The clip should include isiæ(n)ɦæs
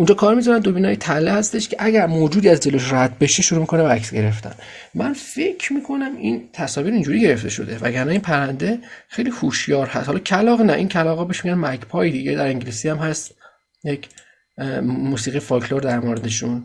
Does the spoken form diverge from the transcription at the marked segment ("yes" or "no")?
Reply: yes